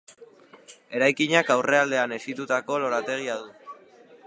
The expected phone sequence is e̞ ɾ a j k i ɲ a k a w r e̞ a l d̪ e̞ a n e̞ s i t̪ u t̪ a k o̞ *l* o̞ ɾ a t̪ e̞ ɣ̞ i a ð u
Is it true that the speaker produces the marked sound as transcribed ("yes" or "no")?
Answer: yes